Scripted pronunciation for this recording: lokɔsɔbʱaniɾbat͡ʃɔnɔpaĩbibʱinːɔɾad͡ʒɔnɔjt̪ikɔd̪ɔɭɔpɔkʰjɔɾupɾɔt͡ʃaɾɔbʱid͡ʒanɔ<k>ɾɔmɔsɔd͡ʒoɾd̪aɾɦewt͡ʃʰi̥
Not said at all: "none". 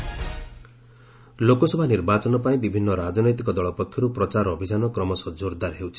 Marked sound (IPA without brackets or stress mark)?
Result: k